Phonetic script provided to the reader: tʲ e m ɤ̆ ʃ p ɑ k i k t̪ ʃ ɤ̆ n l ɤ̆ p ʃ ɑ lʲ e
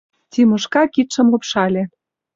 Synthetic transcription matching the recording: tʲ i m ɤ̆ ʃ k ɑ k i t̪ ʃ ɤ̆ m l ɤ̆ p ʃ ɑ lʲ e